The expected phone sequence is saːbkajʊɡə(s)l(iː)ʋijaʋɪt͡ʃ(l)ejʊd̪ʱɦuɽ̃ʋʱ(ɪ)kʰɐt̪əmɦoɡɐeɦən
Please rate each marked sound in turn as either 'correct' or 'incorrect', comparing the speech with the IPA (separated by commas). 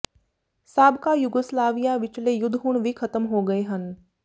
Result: correct, incorrect, correct, incorrect